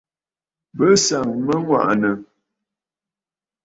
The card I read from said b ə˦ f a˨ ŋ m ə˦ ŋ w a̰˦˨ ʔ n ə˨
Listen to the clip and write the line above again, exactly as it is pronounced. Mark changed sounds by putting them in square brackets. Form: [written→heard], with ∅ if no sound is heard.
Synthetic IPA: b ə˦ [f→s] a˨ ŋ m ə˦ ŋ w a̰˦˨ ʔ n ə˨

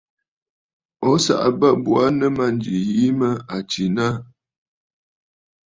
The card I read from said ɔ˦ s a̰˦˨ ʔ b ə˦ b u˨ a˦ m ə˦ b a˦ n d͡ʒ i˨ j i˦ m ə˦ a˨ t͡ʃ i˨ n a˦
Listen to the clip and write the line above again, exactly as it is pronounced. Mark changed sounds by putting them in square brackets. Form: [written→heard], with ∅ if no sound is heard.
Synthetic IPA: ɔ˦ s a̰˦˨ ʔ b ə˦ b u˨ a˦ [m→n] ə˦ [b→m] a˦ n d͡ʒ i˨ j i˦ m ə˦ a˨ t͡ʃ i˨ n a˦

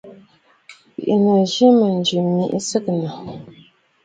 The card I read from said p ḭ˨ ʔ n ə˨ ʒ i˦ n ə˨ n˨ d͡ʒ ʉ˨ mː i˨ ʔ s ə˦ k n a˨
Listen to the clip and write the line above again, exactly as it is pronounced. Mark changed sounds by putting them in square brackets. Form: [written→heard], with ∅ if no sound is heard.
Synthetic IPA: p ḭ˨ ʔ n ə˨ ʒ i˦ [n→m] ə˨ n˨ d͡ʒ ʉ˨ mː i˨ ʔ s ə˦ k n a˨

